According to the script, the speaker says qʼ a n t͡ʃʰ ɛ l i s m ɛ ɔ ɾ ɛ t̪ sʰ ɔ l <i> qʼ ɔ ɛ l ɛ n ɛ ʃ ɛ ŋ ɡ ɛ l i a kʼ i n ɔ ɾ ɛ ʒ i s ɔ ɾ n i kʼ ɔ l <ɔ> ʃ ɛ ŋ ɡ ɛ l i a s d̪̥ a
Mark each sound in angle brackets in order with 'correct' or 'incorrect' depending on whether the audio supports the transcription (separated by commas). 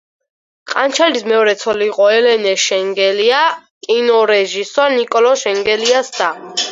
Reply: incorrect, correct